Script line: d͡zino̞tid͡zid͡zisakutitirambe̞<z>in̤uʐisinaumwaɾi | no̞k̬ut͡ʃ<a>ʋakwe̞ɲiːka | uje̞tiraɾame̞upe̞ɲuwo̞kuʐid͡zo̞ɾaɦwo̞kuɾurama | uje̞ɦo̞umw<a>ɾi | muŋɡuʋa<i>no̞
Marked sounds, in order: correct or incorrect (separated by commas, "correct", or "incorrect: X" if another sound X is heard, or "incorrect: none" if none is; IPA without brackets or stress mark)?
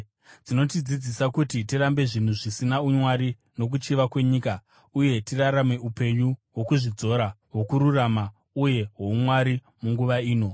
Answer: incorrect: ʐ, incorrect: i, correct, incorrect: iː